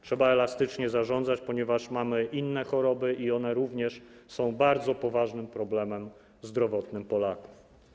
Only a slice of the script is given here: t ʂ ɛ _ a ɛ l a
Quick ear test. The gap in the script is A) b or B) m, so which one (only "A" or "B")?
A